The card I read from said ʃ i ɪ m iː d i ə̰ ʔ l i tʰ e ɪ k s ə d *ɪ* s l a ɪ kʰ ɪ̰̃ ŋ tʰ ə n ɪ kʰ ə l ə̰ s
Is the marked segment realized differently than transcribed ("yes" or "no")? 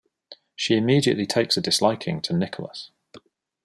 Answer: no